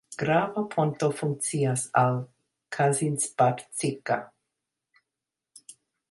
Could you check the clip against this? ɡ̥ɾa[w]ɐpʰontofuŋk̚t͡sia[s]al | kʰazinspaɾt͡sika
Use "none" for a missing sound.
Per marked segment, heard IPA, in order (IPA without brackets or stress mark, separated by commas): v, s